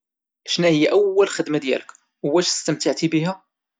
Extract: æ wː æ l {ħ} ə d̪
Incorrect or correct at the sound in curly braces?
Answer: incorrect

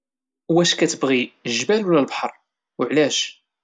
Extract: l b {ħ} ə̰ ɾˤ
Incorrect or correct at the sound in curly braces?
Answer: correct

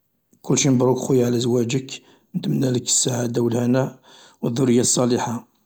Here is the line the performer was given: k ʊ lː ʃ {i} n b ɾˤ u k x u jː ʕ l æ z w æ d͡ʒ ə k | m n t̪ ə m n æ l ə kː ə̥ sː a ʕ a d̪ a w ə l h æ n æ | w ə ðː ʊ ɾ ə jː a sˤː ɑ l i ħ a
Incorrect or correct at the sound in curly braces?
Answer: correct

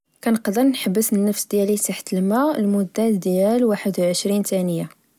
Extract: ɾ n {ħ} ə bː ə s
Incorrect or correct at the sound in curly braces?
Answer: correct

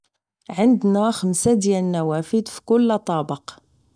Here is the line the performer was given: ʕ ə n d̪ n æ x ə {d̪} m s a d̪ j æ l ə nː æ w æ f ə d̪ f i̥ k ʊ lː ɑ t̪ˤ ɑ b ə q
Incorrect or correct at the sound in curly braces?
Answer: incorrect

